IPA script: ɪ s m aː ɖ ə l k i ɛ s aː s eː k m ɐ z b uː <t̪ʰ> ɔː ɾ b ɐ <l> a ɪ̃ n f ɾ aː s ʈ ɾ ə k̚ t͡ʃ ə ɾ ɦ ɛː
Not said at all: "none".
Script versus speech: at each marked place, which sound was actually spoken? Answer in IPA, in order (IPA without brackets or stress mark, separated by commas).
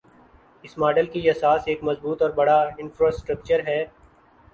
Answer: t̪, ɽ